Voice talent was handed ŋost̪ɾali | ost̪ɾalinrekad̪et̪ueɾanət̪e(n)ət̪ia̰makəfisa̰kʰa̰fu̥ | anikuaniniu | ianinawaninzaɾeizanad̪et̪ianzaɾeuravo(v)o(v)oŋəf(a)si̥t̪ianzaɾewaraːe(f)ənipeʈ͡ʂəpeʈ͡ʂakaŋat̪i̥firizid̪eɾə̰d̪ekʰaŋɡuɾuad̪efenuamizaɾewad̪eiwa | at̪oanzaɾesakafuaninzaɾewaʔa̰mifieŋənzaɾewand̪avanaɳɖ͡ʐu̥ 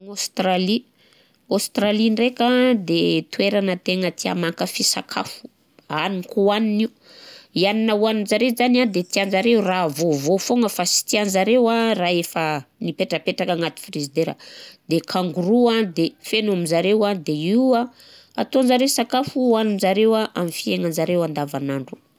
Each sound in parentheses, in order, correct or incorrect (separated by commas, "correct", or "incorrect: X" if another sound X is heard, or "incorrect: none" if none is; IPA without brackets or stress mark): incorrect: ŋ, correct, incorrect: f, correct, correct